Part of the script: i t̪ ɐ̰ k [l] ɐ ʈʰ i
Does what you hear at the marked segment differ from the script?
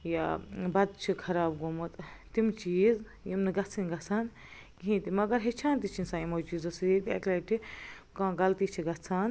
no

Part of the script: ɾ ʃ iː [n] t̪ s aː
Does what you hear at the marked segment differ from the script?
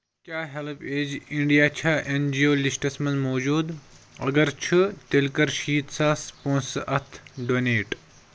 yes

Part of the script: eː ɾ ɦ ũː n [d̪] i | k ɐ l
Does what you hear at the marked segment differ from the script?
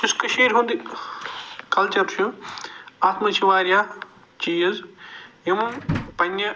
no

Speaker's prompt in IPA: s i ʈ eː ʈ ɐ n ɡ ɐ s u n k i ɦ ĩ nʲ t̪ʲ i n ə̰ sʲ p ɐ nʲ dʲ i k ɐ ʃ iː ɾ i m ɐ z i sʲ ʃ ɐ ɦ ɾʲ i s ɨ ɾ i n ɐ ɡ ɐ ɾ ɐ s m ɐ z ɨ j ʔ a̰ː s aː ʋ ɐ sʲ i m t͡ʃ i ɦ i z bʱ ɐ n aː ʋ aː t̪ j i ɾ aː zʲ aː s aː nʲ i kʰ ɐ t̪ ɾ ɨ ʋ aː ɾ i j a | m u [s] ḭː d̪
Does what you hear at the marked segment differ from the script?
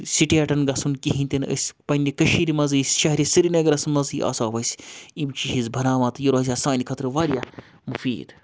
yes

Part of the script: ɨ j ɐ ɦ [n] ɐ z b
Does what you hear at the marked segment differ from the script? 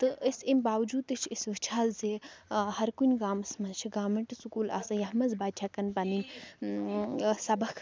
yes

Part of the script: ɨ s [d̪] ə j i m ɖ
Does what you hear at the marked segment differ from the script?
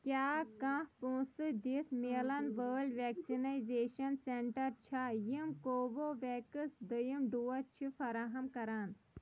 no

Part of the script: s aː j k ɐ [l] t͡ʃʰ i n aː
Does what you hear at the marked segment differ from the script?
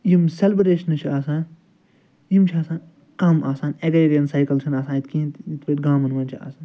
no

